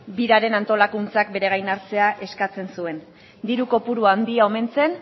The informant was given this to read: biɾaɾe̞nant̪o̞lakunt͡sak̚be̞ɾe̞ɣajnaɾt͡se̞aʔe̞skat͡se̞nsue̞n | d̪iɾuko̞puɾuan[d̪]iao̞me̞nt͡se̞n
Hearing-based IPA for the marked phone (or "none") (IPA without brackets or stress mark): d̪